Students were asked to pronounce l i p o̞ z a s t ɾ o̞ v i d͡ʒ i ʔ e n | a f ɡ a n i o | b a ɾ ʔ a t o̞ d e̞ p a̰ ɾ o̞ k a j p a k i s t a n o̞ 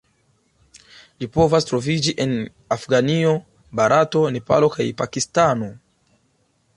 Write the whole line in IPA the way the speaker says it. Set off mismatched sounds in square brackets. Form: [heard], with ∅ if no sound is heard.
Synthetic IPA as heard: l i p o̞ [v] a s t ɾ o̞ v i d͡ʒ i ʔ e n | a f ɡ a n i o | b a ɾ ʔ a t o̞ [n] e̞ p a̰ [l] o̞ k a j p a k i s t a n o̞